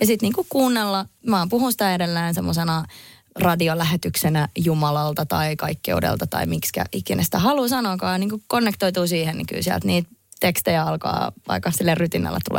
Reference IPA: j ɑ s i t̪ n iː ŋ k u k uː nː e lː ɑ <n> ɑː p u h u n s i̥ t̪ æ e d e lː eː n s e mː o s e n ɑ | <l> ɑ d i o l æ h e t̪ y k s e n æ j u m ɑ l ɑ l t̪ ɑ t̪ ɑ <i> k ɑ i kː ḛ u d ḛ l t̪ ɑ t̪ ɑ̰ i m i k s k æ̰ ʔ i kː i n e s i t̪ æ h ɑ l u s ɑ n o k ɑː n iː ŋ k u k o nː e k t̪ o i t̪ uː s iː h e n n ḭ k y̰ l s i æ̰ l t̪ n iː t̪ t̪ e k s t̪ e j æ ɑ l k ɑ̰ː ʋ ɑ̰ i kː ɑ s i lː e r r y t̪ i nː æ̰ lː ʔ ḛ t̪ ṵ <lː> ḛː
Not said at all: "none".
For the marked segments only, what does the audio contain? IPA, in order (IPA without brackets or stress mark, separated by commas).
m, r, i, l